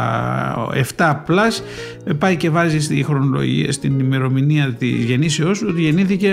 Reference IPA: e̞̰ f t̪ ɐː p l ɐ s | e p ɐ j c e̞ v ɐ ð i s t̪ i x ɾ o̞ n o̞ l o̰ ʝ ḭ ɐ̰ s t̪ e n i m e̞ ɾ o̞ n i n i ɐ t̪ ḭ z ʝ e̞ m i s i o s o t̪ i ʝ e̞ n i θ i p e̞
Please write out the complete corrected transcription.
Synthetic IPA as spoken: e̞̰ f t̪ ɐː p l ɐ s | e p ɐ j c e̞ v ɐ z i s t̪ i x ɾ o̞ n o̞ l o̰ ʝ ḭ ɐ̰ s t̪ i n i m e̞ ɾ o̞ m i n i ɐ t̪ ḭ z ʝ e̞ n i s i o s o t̪ i ʝ e̞ n i θ i c e̞